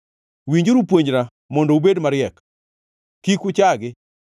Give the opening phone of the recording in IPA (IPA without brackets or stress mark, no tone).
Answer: w